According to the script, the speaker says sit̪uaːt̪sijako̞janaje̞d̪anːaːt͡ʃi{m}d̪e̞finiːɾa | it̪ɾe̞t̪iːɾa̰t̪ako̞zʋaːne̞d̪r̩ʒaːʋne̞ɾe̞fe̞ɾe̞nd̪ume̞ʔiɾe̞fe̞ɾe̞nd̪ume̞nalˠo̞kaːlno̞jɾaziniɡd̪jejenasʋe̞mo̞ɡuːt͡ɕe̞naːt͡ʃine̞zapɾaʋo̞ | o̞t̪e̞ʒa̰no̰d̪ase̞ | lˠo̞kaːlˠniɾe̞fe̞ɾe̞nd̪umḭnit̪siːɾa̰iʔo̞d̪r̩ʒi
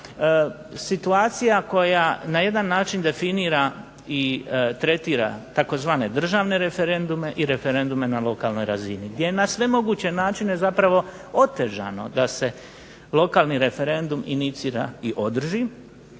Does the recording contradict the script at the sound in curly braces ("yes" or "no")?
yes